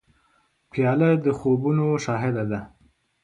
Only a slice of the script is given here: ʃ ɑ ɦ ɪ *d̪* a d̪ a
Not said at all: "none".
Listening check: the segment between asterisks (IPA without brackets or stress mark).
d̪